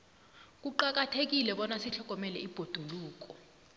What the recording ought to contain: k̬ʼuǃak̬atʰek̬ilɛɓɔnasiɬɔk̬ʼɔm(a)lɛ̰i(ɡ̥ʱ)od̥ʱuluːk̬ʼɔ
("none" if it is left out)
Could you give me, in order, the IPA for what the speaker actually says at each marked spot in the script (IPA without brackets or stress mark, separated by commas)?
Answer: ɛ, b̥ʱ